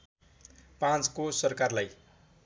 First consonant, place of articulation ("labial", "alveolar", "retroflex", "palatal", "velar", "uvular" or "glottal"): labial